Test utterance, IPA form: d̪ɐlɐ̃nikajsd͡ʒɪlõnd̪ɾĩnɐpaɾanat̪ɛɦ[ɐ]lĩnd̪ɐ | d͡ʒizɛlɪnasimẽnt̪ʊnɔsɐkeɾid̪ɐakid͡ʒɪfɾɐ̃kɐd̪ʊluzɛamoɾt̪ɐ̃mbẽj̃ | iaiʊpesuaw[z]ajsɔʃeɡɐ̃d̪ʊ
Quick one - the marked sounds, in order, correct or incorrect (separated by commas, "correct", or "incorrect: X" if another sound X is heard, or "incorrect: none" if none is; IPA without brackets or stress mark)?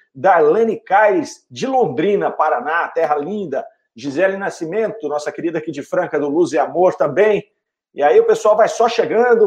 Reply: correct, incorrect: v